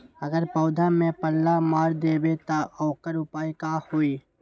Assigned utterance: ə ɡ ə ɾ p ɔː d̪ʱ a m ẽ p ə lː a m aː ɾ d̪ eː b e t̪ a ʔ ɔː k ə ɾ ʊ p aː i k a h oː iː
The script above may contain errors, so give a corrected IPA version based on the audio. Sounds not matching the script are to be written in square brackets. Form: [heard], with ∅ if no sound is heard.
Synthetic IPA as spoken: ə ɡ ə ɾ p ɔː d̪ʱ a m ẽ p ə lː a m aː ɾ d̪ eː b e t̪ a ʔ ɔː k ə ɾ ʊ p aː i k a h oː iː